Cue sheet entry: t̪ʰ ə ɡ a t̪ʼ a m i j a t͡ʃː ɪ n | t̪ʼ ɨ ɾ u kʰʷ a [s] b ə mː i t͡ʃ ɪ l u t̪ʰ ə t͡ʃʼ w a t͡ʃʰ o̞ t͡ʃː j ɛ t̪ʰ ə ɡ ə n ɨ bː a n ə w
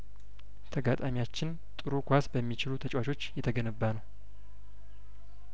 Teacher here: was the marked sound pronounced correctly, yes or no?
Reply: yes